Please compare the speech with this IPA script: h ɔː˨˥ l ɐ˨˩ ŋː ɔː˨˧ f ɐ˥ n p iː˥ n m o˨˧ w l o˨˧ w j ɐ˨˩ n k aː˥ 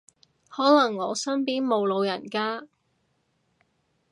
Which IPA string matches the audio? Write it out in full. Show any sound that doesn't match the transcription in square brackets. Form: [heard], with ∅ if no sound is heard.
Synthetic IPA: h ɔː˨˥ l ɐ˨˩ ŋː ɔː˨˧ [s] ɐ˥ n p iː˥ n m o˨˧ w l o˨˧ w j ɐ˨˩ n k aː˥